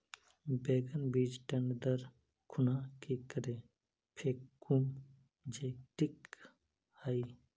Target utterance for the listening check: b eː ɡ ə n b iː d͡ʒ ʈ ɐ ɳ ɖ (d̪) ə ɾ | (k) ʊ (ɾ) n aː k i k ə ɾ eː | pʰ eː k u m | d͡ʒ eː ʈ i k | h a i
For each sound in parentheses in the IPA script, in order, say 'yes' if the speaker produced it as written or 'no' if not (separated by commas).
yes, no, no